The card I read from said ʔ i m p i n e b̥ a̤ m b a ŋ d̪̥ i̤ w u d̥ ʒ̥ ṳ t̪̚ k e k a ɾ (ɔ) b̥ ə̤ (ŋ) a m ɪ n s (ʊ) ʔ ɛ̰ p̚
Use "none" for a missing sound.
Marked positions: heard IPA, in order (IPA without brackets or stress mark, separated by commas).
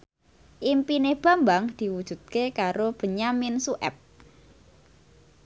o, ɲ, u